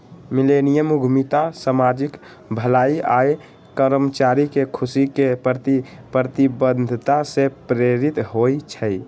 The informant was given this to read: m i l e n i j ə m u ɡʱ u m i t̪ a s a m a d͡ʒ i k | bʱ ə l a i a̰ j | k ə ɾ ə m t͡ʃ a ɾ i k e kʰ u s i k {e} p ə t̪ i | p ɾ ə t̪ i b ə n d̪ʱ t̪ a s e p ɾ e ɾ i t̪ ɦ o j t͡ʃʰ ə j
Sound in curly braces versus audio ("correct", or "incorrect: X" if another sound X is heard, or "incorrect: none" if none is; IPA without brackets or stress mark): correct